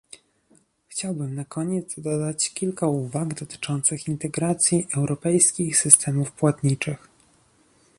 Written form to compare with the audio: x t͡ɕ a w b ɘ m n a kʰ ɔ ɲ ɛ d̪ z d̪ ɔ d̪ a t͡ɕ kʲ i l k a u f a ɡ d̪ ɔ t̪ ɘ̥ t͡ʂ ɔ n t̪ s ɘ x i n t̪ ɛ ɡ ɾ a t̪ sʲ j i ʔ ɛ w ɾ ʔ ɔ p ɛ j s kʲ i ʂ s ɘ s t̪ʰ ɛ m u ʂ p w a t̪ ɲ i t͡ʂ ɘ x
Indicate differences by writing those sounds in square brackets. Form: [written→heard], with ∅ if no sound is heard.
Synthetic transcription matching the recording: x t͡ɕ a w b ɘ m n a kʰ ɔ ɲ ɛ d̪ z d̪ ɔ d̪ a t͡ɕ kʲ i l k a u [f→v] a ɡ d̪ ɔ t̪ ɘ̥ t͡ʂ ɔ n t̪ s ɘ x i n t̪ ɛ ɡ ɾ a t̪ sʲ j i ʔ ɛ w ɾ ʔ ɔ p ɛ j s kʲ i [ʂ→x] s ɘ s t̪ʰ ɛ m u [ʂ→f] p w a t̪ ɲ i t͡ʂ ɘ x

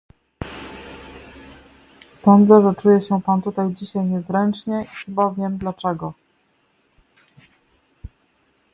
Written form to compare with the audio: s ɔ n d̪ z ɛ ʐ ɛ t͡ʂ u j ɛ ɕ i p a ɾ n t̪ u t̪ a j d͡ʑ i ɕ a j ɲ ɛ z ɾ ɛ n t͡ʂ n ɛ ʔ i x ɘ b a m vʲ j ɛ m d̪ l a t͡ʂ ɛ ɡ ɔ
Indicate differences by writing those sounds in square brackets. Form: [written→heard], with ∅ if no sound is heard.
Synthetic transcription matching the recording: s ɔ n d̪ z ɛ ʐ ɛ t͡ʂ u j ɛ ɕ [i→ɛ] p a [ɾ→∅] n t̪ u t̪ a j d͡ʑ i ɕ a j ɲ ɛ z ɾ ɛ n t͡ʂ [n→ɲ] ɛ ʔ i x ɘ b a [m→∅] vʲ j ɛ m d̪ l a t͡ʂ ɛ ɡ ɔ

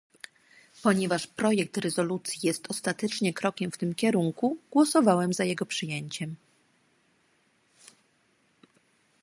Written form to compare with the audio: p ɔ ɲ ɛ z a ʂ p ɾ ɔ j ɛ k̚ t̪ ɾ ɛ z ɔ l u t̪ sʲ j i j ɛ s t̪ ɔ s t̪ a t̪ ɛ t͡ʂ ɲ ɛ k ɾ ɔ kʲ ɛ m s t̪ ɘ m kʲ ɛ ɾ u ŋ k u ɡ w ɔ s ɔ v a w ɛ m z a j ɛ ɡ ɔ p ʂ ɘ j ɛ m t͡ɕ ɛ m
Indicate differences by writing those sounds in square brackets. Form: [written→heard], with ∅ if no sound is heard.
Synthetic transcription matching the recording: p ɔ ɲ ɛ [z→v] a ʂ p ɾ ɔ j ɛ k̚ t̪ ɾ ɛ z ɔ l u t̪ sʲ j i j ɛ s t̪ ɔ s t̪ a t̪ ɛ t͡ʂ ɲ ɛ k ɾ ɔ kʲ ɛ m [s→f] t̪ ɘ m kʲ ɛ ɾ u ŋ k u ɡ w ɔ s ɔ v a w ɛ m z a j ɛ ɡ ɔ p ʂ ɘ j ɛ [m→ɲ] t͡ɕ ɛ m

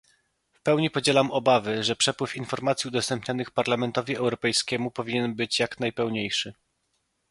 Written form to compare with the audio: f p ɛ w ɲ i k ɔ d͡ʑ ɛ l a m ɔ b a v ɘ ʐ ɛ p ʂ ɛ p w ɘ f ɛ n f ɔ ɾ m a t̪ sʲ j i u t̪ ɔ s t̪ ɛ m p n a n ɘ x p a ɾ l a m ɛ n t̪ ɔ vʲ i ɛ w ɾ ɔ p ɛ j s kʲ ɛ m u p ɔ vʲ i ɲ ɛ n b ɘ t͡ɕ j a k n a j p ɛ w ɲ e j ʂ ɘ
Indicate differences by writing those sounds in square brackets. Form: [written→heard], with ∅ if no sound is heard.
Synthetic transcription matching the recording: f p ɛ w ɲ i [k→p] ɔ d͡ʑ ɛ l a m ɔ b a v ɘ ʐ ɛ p ʂ ɛ p w ɘ f [ɛ→i] n f ɔ ɾ m a t̪ sʲ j i u [t̪→d̪] ɔ s t̪ ɛ m p [n→ɲ] a n ɘ x p a ɾ l a m ɛ n t̪ ɔ vʲ i ɛ w ɾ ɔ p ɛ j s kʲ ɛ m u p ɔ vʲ i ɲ ɛ n b ɘ t͡ɕ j a k n a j p ɛ w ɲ e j ʂ ɘ

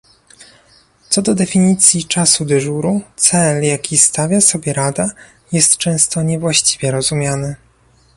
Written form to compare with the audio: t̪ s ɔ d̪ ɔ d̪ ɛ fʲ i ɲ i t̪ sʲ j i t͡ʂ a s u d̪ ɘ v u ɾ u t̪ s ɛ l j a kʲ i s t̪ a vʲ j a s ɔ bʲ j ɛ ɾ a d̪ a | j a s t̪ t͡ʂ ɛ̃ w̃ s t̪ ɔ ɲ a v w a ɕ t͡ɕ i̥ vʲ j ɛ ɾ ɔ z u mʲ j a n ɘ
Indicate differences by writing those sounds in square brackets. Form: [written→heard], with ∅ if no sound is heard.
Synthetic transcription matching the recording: t̪ s ɔ d̪ ɔ d̪ ɛ fʲ i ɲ i t̪ sʲ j i t͡ʂ a s u d̪ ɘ [v→ʐ] u ɾ u t̪ s ɛ l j a kʲ i s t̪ a vʲ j a s ɔ bʲ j ɛ ɾ a d̪ a | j [a→ɛ] s t̪ t͡ʂ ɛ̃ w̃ s t̪ ɔ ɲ [a→ɛ] v w a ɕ t͡ɕ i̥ vʲ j ɛ ɾ ɔ z u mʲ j a n ɘ

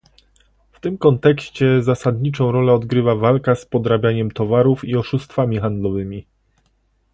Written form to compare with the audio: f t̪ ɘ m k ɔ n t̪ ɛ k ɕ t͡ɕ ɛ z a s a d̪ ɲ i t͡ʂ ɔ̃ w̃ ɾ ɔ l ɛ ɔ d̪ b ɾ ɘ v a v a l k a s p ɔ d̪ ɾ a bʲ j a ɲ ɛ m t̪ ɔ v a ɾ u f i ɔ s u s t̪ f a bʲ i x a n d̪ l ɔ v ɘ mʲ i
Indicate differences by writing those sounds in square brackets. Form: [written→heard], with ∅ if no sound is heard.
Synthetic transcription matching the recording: f t̪ ɘ m k ɔ n t̪ ɛ k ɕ t͡ɕ ɛ z a s a d̪ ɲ i t͡ʂ ɔ̃ w̃ ɾ ɔ l ɛ ɔ d̪ [b→ɡ] ɾ ɘ v a v a l k a s p ɔ d̪ ɾ a bʲ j a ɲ ɛ m t̪ ɔ v a ɾ u f i ɔ [s→ʂ] u s t̪ f a [bʲ→mʲ] i x a n d̪ l ɔ v ɘ mʲ i

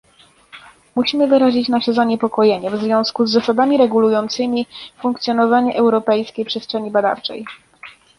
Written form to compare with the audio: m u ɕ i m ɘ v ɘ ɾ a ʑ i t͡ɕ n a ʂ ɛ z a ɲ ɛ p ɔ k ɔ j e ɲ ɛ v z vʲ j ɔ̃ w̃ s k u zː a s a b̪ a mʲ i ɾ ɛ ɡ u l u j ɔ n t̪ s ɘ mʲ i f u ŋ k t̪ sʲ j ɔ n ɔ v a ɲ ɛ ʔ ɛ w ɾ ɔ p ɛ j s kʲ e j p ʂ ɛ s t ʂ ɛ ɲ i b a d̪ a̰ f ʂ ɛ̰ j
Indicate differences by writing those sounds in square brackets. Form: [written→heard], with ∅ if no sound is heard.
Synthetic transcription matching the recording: m u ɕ i m ɘ v ɘ ɾ a ʑ i t͡ɕ n a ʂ ɛ z a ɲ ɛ p ɔ k ɔ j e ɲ ɛ v z vʲ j ɔ̃ w̃ s k u zː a s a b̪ a mʲ i ɾ ɛ ɡ u l u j ɔ n t̪ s ɘ mʲ i f u ŋ k t̪ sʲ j ɔ n ɔ v a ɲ ɛ ʔ ɛ w ɾ ɔ p ɛ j s kʲ e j p ʂ ɛ s t ʂ ɛ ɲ i b a d̪ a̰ f [ʂ→t͡ʂ] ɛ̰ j

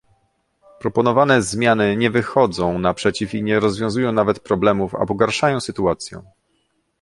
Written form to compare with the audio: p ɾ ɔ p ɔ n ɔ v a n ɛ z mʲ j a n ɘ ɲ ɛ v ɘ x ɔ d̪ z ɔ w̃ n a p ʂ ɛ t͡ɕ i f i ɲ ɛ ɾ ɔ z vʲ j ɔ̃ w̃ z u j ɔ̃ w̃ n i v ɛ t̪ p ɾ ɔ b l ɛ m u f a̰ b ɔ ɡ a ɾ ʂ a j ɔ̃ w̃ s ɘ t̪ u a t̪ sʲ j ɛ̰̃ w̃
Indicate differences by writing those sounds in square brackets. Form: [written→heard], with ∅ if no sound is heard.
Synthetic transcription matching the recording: p ɾ ɔ p ɔ n ɔ v a n ɛ z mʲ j a n ɘ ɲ ɛ v ɘ x ɔ d̪ z [ɔ→ɔ̃] w̃ n a p ʂ ɛ t͡ɕ i f i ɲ ɛ ɾ ɔ z vʲ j ɔ̃ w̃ z u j ɔ̃ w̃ n [i→a] v ɛ t̪ p ɾ ɔ b l ɛ m u f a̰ b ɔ ɡ a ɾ ʂ a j ɔ̃ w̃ s ɘ t̪ u a t̪ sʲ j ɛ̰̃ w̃

